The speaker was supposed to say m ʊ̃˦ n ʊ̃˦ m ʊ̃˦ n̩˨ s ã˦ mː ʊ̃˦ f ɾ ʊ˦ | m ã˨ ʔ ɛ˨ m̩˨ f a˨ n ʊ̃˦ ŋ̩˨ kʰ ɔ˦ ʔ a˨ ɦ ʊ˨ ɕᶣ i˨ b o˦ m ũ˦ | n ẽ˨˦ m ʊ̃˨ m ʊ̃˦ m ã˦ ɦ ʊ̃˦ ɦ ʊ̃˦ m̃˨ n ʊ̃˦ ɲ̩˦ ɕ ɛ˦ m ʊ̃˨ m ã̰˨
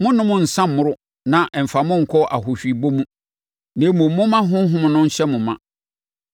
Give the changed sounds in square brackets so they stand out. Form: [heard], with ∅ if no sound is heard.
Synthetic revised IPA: m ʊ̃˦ n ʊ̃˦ m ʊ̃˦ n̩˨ s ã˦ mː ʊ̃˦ [∅] ɾ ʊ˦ | [n] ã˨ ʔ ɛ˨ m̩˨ f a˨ [m] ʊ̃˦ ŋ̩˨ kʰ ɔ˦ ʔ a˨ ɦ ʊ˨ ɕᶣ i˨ b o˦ m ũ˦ | n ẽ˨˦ m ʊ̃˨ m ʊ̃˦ m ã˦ ɦ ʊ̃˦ ɦ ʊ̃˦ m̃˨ n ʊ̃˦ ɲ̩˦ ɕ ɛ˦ m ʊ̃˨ m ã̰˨